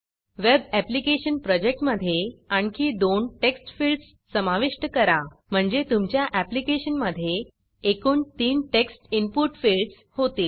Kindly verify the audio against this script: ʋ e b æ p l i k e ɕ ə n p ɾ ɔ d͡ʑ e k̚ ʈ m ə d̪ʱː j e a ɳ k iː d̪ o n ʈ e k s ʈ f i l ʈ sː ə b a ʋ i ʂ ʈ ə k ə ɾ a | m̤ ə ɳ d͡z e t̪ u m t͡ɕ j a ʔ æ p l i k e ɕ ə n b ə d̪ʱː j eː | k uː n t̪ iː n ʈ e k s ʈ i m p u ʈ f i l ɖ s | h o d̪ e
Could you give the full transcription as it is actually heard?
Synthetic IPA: ʋ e b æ p l i k e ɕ ə n p ɾ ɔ d͡ʑ e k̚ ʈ m ə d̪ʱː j e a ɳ k iː d̪ o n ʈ e k s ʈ f i l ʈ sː ə m a ʋ i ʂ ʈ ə k ə ɾ a | m̤ ə ɳ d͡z e t̪ u m t͡ɕ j a ʔ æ p l i k e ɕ ə n m ə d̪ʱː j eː | k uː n t̪ iː n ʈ e k s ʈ i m p u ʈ f i l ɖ s | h o t̪ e